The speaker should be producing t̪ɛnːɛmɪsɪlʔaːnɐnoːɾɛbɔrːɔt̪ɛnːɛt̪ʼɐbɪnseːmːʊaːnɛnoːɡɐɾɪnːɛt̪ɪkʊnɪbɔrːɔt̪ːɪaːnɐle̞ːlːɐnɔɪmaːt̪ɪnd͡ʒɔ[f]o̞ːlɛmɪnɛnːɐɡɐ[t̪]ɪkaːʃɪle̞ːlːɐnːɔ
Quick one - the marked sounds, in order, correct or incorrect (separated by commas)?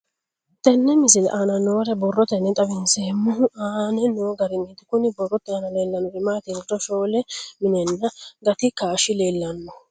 incorrect, correct